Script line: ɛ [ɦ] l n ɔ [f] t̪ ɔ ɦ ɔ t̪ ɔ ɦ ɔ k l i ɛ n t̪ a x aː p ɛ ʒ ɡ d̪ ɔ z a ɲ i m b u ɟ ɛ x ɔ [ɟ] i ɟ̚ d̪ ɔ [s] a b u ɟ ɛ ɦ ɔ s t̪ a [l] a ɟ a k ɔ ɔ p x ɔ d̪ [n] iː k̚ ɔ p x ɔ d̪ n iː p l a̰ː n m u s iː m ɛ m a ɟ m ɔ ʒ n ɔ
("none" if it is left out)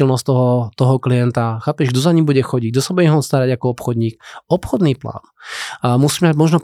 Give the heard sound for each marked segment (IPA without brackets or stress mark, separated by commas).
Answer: none, s, ɟ, s, ɾ, ɲ